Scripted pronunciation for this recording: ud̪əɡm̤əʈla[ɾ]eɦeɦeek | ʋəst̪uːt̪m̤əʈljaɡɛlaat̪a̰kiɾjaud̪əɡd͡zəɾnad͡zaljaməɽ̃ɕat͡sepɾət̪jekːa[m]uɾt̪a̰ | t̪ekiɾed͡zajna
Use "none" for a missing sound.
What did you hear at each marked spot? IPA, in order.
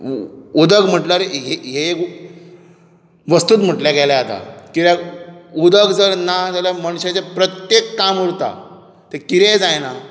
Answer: ɾ, m

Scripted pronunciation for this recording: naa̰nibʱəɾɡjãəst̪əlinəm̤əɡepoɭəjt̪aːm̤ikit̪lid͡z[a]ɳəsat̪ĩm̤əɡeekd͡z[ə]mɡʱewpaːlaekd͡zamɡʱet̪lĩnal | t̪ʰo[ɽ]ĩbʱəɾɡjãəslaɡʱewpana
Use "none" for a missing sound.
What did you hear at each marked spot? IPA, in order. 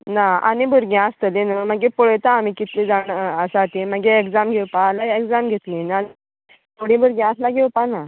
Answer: a, a, ɽ

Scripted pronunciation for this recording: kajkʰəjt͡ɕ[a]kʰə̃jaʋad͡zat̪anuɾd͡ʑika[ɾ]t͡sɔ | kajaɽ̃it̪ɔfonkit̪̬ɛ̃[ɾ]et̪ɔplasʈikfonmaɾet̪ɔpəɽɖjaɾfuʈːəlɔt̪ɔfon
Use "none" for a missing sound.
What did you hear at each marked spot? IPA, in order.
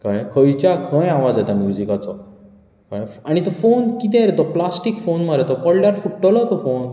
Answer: a, none, ɾ

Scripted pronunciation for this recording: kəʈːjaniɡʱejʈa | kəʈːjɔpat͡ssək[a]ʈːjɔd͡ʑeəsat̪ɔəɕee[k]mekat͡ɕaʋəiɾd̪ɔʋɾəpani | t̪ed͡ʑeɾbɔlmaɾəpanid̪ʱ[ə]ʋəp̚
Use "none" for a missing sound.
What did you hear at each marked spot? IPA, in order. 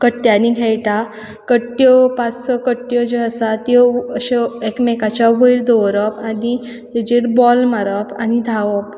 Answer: ə, k, a

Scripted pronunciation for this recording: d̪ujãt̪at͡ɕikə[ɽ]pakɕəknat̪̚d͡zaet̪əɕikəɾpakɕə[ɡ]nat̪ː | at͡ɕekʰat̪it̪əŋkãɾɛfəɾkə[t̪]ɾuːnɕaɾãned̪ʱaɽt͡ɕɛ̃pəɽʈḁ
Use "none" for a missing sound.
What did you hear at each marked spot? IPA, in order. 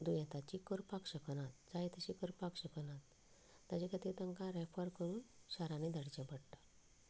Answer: ɾ, k, none

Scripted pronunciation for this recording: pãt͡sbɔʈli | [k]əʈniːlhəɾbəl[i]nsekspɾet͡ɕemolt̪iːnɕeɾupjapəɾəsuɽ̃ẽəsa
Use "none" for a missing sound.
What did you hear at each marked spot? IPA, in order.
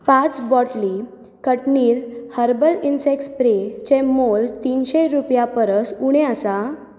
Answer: k, i

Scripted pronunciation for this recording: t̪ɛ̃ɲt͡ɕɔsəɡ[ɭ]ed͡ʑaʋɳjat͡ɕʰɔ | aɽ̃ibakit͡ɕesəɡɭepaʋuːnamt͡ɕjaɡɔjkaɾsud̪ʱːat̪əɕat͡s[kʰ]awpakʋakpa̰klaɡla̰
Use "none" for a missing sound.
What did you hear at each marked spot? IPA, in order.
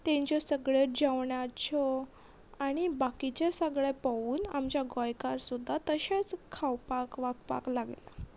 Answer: ɭ, kʰ

